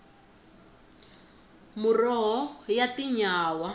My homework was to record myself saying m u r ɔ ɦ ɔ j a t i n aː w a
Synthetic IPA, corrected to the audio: m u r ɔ ɦ ɔ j a t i ɲ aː w a

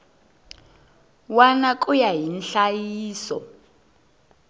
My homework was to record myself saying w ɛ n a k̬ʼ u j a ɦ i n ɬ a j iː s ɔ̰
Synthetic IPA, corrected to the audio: w a n a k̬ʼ u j a ɦ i n ɬ a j iː s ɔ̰

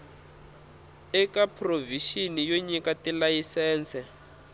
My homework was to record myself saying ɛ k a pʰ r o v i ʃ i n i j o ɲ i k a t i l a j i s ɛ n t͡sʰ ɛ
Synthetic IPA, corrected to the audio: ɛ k a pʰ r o v i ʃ i n i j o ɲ i k a t i l a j i s ɛː n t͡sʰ ɛ

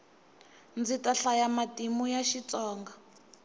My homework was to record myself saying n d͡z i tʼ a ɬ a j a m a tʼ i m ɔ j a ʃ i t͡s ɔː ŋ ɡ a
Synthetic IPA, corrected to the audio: n d͡z i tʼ a ɬ a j a m a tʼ i m u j a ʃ i t͡s ɔː ŋ ɡ a

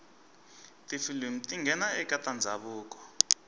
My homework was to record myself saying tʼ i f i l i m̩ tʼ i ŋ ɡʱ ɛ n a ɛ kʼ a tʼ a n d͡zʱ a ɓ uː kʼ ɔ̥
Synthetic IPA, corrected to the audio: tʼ i f i l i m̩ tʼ i ŋ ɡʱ ɛ n a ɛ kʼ a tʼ a n d͡zʱ a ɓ uː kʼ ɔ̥

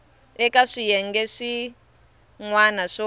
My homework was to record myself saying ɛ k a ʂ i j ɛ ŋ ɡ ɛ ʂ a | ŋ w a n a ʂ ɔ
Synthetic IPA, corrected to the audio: ɛ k a ʂ i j ɛ ŋ ɡ ɛ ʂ i | ŋ w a n a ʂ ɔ

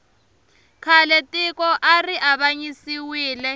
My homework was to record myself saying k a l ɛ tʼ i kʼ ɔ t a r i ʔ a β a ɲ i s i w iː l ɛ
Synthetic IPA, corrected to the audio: kʰ a l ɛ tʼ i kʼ ɔ ʔ a r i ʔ a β a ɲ i s i w iː l ɛ

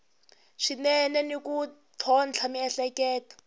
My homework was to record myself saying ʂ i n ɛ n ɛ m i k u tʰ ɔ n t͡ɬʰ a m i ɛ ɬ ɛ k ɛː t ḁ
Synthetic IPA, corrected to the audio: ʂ i n ɛ n ɛ n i k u tʰ ɔ n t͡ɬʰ a m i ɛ ɬ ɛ k ɛː t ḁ

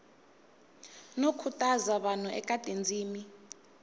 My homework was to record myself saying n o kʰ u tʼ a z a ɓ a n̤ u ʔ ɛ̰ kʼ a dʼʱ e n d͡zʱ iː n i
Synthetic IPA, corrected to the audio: n o kʰ u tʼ a z a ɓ a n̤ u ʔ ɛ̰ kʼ a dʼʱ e n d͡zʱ iː m i

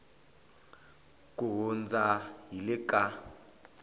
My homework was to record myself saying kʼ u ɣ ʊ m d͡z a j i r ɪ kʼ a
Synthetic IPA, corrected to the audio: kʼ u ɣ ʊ n d͡z a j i l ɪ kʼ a

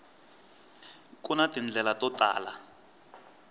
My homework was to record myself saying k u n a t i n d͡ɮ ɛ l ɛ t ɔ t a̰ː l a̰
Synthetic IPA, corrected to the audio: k u n a t i n d͡ɮ ɛ l a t ɔ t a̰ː l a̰

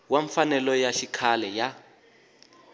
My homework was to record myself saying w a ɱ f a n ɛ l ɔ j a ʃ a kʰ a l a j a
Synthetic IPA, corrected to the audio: w a ɱ f a n ɛ l ɔ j a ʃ i kʰ a l ɛ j a

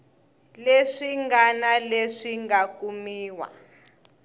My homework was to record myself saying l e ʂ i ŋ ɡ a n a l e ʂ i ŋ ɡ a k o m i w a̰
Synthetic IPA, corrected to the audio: l e ʂ i ŋ ɡ a n a l e ʂ i ŋ ɡ a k u m iː w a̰

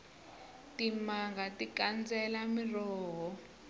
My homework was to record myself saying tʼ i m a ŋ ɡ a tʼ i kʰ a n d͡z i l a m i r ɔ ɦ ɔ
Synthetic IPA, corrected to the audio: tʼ i m a ŋ ɡ a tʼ i k a n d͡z ɛ l a m i r ɔː ɦ ɔ

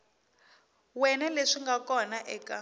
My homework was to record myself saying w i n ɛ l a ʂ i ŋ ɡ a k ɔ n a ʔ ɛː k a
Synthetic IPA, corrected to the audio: w ɛ n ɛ l e ʂ i ŋ ɡ a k ɔ n a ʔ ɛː k a

